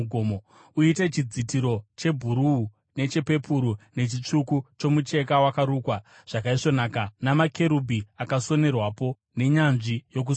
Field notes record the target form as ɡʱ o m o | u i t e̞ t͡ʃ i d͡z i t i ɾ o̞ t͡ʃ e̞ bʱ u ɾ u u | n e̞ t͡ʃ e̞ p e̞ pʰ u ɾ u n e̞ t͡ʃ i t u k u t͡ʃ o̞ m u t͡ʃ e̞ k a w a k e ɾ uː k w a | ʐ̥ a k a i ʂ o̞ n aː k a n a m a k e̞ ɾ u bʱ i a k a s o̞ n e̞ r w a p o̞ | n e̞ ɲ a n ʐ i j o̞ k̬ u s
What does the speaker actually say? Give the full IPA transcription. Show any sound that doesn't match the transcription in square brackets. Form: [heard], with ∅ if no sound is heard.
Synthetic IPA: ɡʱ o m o | u i t e̞ t͡ʃ i d͡z i t i ɾ o̞ t͡ʃ e̞ bʱ u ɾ u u | n e̞ t͡ʃ e̞ p e̞ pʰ u ɾ u n e̞ t͡ʃ i [t͡ʂ] u k u t͡ʃ o̞ m u t͡ʃ e̞ k a w a k [a] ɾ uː k w a | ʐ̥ a k a i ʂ o̞ n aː k a n a m a k e̞ ɾ u bʱ i a k a s o̞ n e̞ r w a p o̞ | n e̞ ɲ a n ʐ i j o̞ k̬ u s